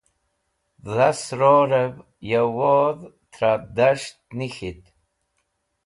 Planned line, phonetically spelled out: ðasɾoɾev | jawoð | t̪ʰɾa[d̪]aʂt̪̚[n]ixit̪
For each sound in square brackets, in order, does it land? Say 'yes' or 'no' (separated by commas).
yes, yes